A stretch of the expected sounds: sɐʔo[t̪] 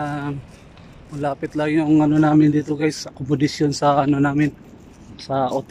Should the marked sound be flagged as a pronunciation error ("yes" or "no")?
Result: no